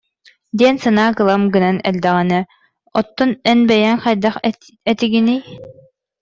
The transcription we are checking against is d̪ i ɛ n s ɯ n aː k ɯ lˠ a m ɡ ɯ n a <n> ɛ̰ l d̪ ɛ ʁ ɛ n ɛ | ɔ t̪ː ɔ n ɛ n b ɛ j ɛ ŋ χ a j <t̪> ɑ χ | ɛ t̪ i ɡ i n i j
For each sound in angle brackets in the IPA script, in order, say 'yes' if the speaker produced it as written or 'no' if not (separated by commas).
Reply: yes, no